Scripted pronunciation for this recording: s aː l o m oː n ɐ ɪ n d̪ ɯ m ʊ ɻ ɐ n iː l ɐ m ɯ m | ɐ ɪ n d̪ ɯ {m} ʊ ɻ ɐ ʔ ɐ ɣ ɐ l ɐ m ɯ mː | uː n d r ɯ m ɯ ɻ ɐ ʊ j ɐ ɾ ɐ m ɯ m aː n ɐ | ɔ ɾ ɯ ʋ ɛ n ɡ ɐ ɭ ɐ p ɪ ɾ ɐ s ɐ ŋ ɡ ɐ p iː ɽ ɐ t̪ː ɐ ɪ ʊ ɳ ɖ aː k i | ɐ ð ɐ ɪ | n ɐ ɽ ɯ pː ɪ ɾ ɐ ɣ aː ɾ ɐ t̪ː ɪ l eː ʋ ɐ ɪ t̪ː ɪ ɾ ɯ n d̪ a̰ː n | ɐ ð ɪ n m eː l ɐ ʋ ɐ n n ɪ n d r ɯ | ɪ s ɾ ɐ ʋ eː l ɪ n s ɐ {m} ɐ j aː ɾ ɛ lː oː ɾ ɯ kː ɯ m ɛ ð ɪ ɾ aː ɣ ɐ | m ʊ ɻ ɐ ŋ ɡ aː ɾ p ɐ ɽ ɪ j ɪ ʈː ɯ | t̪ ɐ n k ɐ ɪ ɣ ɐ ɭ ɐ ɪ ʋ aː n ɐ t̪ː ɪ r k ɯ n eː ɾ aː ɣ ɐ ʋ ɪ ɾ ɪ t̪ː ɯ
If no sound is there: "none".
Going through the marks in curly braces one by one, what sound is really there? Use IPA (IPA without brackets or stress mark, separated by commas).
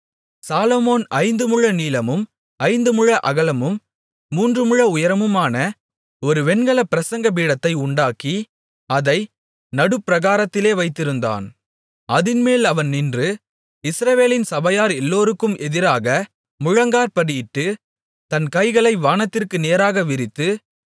m, b